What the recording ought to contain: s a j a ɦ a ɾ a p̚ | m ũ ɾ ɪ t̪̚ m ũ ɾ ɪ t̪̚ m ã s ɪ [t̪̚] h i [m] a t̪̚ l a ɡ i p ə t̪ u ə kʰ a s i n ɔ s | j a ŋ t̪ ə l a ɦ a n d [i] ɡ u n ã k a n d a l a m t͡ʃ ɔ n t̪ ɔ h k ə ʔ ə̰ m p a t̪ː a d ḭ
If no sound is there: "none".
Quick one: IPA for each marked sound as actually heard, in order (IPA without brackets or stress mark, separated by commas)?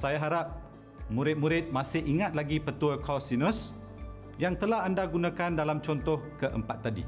none, ŋ, a